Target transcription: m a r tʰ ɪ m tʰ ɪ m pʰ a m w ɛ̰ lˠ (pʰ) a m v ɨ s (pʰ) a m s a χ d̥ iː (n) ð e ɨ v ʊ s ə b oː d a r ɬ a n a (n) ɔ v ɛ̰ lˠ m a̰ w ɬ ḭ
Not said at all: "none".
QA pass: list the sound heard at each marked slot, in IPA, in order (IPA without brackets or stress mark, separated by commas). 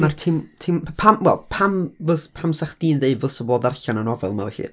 pʰ, pʰ, n, n